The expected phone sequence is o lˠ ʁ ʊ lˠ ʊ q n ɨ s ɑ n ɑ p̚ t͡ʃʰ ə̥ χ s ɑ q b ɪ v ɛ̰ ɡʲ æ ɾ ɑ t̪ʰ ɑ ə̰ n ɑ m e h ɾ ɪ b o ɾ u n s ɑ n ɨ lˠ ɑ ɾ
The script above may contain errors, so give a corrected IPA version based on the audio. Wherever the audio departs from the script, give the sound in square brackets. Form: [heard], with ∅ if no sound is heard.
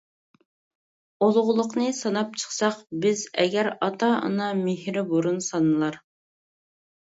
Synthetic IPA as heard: o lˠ ʁ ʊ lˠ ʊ q n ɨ s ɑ n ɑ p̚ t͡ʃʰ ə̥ χ s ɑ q b ɪ [z] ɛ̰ ɡʲ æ ɾ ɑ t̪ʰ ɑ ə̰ n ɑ m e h ɾ ɪ b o ɾ u n s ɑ n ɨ lˠ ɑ ɾ